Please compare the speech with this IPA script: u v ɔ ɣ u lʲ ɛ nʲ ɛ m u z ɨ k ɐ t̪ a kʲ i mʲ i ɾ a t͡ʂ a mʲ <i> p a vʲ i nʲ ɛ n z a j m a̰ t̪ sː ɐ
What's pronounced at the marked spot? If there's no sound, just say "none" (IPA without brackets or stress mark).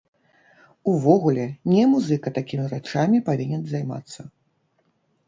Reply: i